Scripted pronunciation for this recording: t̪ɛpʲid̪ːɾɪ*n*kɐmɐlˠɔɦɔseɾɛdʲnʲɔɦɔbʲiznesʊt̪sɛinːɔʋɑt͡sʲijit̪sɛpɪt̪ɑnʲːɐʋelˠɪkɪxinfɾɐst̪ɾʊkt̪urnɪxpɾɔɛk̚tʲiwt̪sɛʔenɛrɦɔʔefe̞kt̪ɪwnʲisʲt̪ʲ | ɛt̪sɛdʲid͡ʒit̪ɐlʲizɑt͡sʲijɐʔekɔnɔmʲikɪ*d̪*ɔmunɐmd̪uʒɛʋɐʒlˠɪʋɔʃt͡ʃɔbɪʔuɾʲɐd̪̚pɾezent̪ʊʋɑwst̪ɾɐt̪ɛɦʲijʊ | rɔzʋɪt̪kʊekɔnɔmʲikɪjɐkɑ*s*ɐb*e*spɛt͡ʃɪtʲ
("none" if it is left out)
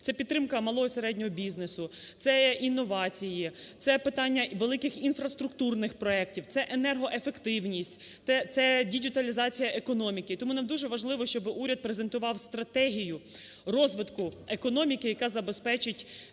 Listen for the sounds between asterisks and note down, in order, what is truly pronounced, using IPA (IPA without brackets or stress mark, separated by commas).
m, t̪, z, e